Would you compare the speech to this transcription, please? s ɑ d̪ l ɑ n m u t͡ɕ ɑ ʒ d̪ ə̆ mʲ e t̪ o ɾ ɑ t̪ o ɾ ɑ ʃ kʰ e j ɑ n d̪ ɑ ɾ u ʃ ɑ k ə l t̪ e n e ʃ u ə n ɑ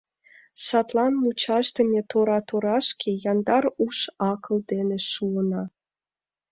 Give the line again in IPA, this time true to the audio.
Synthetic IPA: s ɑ t̪ l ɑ n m u t͡ɕ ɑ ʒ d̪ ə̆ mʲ e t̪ o ɾ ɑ t̪ o ɾ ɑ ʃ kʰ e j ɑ n d̪ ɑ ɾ u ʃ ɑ k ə l d̪ e n e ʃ u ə n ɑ